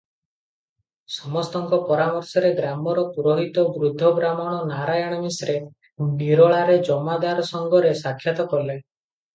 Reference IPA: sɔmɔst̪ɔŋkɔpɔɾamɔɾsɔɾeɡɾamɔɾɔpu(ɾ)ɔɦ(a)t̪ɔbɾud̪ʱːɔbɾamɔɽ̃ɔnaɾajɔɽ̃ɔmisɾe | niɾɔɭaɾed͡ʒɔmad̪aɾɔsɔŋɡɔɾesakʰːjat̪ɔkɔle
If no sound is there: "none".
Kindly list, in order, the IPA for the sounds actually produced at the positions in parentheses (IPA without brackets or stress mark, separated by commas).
ɾ, i